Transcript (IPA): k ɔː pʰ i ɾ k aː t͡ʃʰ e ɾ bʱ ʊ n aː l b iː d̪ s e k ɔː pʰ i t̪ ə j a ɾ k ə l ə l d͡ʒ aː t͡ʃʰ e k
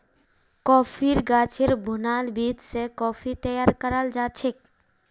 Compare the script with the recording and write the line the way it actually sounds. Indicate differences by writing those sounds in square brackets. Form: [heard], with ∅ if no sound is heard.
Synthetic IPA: k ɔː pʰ i ɾ [ɡ] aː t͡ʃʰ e ɾ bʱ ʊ n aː l b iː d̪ s e k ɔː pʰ i t̪ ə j a ɾ k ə [ɾ] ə l d͡ʒ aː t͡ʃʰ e k